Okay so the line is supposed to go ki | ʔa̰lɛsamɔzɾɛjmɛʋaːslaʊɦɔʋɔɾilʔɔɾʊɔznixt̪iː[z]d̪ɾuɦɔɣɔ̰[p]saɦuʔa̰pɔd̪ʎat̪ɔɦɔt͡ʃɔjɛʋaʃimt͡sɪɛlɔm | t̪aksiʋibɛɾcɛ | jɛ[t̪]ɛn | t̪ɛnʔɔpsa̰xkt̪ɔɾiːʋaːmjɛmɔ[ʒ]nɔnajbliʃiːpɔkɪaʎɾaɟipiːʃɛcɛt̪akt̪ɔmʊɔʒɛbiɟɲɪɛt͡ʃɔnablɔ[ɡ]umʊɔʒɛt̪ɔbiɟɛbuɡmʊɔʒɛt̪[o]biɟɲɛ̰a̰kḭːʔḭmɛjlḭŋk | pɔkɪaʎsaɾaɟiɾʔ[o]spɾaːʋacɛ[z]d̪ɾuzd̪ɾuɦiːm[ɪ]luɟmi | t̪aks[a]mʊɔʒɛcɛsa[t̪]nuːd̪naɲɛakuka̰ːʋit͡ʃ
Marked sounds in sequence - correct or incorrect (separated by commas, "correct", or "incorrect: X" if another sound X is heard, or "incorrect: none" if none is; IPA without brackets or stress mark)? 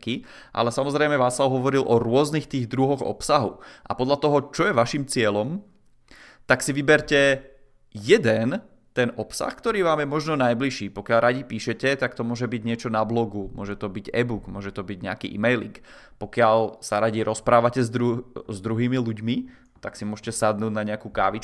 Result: incorrect: ɣ, correct, incorrect: d̪, correct, correct, incorrect: ɔ, incorrect: ɔ, correct, incorrect: i, incorrect: i, incorrect: d̪